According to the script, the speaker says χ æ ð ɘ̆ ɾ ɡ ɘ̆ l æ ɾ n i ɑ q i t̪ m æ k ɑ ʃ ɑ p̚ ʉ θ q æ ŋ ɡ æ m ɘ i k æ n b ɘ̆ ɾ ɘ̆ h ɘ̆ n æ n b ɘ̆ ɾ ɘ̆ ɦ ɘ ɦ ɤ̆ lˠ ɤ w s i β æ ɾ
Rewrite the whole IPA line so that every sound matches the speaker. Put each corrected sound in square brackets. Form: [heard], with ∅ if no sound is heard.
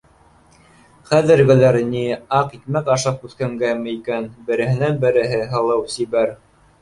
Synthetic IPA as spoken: χ æ ð ɘ̆ ɾ ɡ ɘ̆ l æ ɾ n i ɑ q i t̪ m æ k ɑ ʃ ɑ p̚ ʉ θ [k] æ ŋ ɡ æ m ɘ i k æ n b ɘ̆ ɾ ɘ̆ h ɘ̆ n æ n b ɘ̆ ɾ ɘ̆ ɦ ɘ ɦ ɤ̆ lˠ ɤ w s i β æ ɾ

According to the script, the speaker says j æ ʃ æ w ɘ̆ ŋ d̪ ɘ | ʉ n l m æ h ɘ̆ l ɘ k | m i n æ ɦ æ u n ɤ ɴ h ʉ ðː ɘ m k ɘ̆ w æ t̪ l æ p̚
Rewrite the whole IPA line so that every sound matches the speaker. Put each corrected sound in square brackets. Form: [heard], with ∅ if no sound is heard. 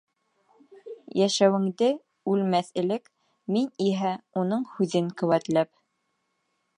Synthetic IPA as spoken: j æ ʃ æ w ɘ̆ ŋ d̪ ɘ | ʉ [∅] l m æ [θ] ɘ̆ l ɘ k | m i n [i] ɦ æ u n ɤ ɴ h ʉ [ð] ɘ [ŋ] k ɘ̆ w æ t̪ l æ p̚

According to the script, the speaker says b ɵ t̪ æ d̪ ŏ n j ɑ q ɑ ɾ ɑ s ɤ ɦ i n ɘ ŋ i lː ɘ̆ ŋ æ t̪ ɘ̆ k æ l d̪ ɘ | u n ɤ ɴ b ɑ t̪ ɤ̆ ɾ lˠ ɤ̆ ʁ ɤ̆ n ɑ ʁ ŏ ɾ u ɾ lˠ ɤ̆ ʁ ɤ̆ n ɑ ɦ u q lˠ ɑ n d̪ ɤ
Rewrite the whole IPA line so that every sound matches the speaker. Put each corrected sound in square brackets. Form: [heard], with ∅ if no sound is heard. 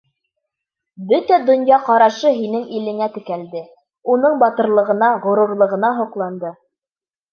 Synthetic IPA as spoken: b ɵ t̪ æ d̪ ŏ n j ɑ q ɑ ɾ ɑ [ʃ] ɤ ɦ i n ɘ ŋ i [l] ɘ̆ ŋ æ t̪ ɘ̆ k æ l d̪ ɘ | u n ɤ ɴ b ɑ t̪ ɤ̆ ɾ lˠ ɤ̆ ʁ ɤ̆ n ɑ ʁ ŏ ɾ u ɾ lˠ ɤ̆ ʁ ɤ̆ n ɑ ɦ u q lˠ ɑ n d̪ ɤ

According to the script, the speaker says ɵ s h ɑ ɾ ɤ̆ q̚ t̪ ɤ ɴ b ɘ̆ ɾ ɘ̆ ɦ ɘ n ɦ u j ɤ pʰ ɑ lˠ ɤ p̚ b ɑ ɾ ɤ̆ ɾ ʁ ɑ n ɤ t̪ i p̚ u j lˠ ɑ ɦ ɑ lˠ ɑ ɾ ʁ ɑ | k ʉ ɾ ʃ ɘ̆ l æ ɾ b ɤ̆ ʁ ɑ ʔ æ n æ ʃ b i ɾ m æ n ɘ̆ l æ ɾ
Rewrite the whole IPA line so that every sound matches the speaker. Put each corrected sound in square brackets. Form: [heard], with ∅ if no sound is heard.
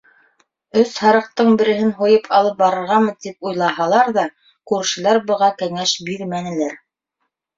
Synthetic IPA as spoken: ɵ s h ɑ ɾ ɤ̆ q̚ t̪ ɤ ɴ b ɘ̆ ɾ ɘ̆ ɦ ɘ n ɦ u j ɤ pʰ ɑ lˠ ɤ p̚ b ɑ ɾ ɤ̆ ɾ ʁ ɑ [m] ɤ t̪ i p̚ u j lˠ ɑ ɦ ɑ lˠ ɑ ɾ [ð] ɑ | k ʉ ɾ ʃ ɘ̆ l æ ɾ b ɤ̆ ʁ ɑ [k] æ [ŋ] æ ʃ b i ɾ m æ n ɘ̆ l æ ɾ

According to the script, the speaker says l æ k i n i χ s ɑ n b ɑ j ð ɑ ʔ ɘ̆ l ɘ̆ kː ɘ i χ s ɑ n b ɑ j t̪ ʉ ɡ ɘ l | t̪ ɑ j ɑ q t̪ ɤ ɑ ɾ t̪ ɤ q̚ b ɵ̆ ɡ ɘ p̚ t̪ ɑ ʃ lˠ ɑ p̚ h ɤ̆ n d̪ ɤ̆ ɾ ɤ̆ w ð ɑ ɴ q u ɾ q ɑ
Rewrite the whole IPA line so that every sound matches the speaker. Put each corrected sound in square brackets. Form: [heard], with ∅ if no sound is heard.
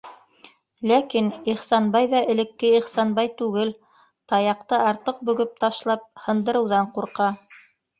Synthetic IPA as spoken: l æ k i n i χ s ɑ n b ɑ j ð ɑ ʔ ɘ̆ l ɘ̆ kː ɘ i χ s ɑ n b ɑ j t̪ ʉ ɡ ɘ l | t̪ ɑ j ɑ q t̪ ɤ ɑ ɾ t̪ ɤ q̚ b ɵ̆ ɡ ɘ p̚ t̪ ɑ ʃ lˠ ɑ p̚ h ɤ̆ n d̪ ɤ̆ ɾ ɤ̆ w ð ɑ ɴ q u ɾ q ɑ

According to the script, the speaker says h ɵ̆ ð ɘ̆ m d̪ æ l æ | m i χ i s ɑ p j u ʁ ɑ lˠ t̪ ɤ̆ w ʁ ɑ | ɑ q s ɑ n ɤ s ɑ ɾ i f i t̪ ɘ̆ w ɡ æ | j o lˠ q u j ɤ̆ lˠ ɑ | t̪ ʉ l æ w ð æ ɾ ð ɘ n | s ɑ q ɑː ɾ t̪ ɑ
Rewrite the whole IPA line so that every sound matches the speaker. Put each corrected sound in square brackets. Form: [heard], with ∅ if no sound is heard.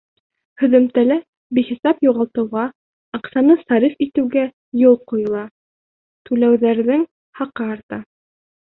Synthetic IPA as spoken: h ɵ̆ ð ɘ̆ m [t̪] æ l æ | [b] i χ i s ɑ p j u ʁ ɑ lˠ t̪ ɤ̆ w ʁ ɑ | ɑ q s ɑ n ɤ s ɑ ɾ i f i t̪ ɘ̆ w ɡ æ | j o lˠ q u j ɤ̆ lˠ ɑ | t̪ ʉ l æ w ð æ ɾ ð ɘ [ŋ] | [h] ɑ q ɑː ɾ t̪ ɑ

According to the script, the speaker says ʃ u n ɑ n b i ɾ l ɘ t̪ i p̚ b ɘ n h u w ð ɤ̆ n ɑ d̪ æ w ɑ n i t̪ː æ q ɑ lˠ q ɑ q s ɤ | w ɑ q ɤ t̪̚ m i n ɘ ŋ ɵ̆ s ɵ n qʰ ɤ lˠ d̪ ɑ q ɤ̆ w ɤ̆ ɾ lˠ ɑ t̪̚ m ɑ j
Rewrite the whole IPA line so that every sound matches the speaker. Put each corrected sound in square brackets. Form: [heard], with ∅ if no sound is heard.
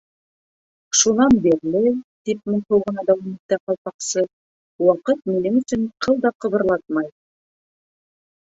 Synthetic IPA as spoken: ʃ u n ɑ n b i ɾ l ɘ t̪ i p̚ [m] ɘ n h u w [ʁ] ɤ̆ n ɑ d̪ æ w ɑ [m] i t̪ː æ q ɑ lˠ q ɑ q s ɤ | w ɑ q ɤ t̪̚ m i n ɘ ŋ ɵ̆ s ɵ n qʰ ɤ lˠ d̪ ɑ q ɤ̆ [β] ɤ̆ ɾ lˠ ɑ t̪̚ m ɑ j

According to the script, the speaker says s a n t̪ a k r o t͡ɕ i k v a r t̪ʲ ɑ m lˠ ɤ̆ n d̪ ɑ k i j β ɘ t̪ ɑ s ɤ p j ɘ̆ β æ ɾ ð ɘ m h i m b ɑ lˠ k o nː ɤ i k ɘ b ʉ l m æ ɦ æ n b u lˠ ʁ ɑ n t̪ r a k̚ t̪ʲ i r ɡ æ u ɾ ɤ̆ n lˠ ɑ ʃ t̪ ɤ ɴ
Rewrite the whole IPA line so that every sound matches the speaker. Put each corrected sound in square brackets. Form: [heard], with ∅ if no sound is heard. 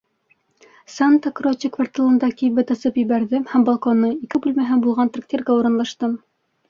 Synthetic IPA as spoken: s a n t̪ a k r o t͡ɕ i k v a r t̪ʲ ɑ [∅] lˠ ɤ̆ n d̪ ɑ k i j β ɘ t̪ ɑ s ɤ p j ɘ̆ β æ ɾ ð ɘ m h [æ] m b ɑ lˠ k o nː ɤ i k ɘ b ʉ l m æ ɦ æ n b u lˠ ʁ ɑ n t̪ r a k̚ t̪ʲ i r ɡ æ u ɾ ɤ̆ n lˠ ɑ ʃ t̪ ɤ [m]

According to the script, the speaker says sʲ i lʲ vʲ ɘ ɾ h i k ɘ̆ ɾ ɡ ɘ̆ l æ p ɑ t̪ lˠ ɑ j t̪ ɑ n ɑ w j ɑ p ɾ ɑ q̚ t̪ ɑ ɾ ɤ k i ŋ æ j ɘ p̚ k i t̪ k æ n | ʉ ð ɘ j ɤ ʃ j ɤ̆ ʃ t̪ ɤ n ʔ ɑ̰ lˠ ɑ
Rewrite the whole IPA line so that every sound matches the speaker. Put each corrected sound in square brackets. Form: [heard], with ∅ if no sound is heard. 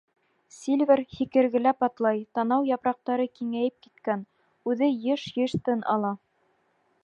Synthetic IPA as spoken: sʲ i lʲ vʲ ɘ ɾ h i k ɘ̆ ɾ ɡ ɘ̆ l æ p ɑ t̪ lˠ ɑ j t̪ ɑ n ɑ w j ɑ p ɾ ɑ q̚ t̪ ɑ ɾ ɤ k i ŋ æ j ɘ p̚ k i t̪ k æ n | ʉ ð ɘ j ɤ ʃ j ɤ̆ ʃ t̪ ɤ n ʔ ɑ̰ lˠ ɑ

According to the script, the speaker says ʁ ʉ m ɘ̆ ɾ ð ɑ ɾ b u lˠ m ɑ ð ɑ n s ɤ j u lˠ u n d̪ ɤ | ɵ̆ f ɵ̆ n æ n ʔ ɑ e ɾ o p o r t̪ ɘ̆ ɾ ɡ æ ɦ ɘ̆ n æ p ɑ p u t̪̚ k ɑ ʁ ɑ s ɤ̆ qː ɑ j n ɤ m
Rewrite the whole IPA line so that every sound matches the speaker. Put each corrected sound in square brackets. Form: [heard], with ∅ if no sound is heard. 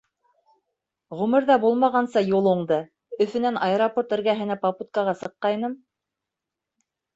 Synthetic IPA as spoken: ʁ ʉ m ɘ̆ ɾ ð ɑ [∅] b u lˠ m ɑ [ʁ] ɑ n s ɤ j u lˠ u [ɴ] d̪ ɤ | ɵ̆ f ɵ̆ n æ n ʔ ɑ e ɾ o p o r t̪ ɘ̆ ɾ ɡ æ ɦ ɘ̆ n æ p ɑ p u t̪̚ k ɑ ʁ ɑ s ɤ̆ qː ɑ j n ɤ m

